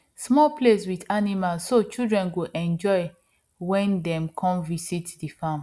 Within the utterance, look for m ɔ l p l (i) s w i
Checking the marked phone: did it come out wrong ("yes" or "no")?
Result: yes